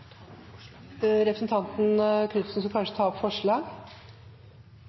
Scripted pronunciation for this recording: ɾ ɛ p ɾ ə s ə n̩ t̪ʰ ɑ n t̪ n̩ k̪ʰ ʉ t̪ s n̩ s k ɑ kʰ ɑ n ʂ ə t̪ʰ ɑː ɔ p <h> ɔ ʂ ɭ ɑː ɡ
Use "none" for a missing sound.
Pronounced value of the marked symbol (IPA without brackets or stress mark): f